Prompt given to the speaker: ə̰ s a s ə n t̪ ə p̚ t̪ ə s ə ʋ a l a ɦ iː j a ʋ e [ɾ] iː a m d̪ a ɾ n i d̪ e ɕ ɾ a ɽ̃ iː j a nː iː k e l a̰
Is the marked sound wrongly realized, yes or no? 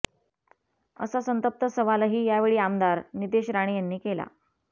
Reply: yes